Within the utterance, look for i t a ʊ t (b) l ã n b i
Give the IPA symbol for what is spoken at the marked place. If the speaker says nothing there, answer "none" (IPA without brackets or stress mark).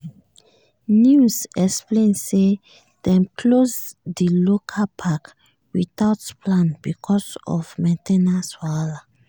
p